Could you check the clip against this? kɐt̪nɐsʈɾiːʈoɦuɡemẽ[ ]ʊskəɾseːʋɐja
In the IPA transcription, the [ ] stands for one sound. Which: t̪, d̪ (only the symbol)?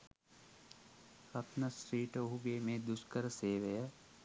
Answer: d̪